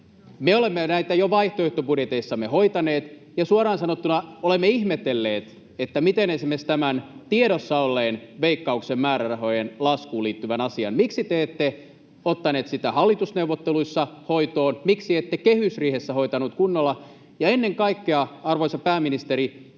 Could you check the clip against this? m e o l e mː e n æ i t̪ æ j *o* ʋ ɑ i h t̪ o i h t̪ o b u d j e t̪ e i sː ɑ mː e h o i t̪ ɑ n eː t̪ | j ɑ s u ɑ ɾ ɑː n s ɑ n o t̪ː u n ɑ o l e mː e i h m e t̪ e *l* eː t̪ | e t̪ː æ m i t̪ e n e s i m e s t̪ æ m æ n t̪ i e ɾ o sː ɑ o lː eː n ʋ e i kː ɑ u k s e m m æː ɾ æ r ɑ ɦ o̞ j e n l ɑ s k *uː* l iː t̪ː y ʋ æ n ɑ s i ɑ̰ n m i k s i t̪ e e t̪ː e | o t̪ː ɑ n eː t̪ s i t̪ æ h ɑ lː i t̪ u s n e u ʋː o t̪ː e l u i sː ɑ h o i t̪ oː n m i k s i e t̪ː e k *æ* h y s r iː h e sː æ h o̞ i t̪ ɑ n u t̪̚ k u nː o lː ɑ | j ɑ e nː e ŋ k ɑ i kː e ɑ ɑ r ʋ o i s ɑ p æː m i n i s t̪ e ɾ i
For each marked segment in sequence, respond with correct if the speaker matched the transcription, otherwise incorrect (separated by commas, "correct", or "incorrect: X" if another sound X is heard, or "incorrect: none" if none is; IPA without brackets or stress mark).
correct, incorrect: lː, correct, incorrect: e